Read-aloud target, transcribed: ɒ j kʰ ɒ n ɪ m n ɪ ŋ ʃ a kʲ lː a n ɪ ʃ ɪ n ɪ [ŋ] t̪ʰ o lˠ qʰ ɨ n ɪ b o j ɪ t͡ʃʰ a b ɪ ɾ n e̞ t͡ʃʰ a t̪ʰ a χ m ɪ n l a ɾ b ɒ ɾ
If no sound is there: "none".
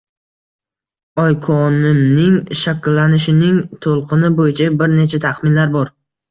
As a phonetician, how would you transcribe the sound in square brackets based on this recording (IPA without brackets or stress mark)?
ŋ